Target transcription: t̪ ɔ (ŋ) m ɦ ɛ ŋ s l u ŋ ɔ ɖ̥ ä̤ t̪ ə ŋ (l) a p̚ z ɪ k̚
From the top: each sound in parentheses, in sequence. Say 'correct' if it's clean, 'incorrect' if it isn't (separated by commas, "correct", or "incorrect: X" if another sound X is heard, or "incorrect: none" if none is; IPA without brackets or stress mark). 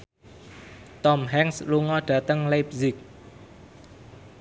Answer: incorrect: none, correct